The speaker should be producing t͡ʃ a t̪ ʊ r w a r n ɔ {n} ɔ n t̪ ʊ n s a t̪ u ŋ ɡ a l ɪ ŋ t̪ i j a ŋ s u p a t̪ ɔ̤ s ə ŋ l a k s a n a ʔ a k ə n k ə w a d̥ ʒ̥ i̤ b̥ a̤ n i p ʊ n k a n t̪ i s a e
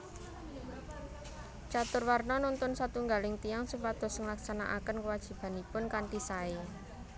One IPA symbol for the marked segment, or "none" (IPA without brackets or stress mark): n